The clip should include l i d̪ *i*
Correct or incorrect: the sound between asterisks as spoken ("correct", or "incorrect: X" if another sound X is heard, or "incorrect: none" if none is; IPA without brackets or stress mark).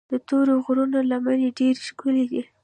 correct